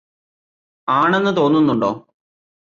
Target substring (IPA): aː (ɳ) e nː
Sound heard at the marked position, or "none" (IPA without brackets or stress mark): ɳ